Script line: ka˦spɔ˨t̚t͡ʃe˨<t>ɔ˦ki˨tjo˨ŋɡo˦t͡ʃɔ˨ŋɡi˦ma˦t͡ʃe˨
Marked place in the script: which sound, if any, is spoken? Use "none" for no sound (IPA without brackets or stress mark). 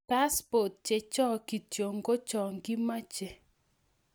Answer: t͡ʃ